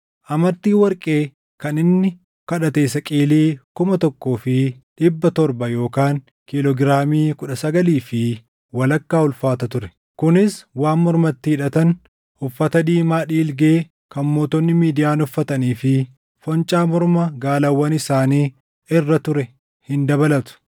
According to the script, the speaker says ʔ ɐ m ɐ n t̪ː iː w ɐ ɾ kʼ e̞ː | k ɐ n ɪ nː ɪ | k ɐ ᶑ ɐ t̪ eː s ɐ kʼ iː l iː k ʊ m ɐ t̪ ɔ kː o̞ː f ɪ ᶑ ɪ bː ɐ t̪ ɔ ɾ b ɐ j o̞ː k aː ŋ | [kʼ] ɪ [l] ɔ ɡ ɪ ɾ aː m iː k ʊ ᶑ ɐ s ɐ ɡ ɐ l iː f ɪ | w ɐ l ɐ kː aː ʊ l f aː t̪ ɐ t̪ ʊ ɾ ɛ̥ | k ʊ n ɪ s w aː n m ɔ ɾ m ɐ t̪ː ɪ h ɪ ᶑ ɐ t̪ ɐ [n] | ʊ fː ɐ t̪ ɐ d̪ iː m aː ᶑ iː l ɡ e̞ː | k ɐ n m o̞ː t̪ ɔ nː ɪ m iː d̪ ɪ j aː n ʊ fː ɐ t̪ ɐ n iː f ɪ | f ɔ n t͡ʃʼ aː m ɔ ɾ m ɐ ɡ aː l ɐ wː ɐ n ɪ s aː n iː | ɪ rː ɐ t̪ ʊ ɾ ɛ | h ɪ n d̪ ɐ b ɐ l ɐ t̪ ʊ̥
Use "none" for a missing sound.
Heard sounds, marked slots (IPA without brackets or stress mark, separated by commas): k, l, n